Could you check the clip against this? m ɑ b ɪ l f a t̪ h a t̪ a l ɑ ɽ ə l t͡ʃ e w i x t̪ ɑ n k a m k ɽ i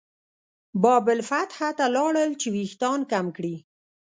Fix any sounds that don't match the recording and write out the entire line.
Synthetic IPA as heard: b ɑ b ɪ l f a t̪ h a t̪ a l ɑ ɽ ə l t͡ʃ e w i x t̪ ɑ n k a m k ɽ i